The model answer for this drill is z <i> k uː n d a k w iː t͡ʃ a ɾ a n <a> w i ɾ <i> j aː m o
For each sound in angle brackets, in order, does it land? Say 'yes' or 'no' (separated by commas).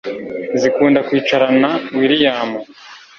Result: yes, yes, yes